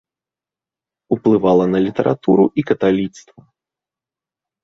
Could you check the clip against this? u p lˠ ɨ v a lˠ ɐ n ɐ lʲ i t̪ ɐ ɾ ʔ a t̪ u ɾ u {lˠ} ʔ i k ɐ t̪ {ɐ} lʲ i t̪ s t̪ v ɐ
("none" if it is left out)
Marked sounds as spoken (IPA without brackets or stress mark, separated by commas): none, a